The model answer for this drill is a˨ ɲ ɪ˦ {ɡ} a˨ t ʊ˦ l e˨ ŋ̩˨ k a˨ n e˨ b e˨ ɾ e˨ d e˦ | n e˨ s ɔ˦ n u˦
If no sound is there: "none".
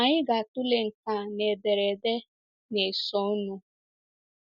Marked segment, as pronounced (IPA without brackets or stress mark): ɡ